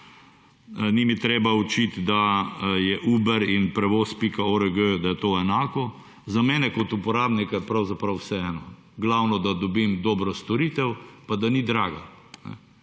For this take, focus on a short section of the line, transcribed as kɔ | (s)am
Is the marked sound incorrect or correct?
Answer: incorrect